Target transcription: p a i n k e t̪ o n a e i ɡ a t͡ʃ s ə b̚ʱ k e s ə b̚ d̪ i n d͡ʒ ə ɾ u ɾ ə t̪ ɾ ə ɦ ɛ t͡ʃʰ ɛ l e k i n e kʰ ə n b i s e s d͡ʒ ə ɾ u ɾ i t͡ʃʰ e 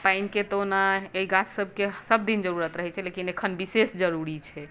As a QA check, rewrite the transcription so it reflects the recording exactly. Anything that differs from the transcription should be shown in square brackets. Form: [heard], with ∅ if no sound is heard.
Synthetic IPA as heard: p a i n k e t̪ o n a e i ɡ a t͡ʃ s ə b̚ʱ k e s ə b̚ d̪ i n d͡ʒ ə ɾ u ɾ ə t̪ ɾ ə ɦ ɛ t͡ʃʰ ɛ l e k i n e kʰ ə n b i s e s d͡ʒ ə ɾ u ɾ i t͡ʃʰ [ɛ]